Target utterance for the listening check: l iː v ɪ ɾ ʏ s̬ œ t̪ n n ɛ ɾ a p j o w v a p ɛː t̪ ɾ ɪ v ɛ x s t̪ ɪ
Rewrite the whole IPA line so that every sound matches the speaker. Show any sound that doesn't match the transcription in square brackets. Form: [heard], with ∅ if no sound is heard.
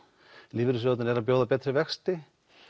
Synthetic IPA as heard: l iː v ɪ ɾ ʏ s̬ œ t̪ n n ɛ ɾ a p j o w [ð] a p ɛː t̪ ɾ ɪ v ɛ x s t̪ ɪ